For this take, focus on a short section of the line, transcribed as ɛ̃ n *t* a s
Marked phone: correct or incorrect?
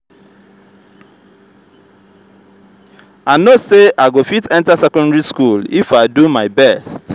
correct